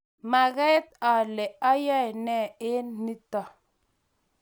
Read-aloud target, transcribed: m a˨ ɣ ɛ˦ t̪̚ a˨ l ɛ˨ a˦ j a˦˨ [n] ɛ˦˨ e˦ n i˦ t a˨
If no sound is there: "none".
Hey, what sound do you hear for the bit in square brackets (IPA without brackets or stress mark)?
n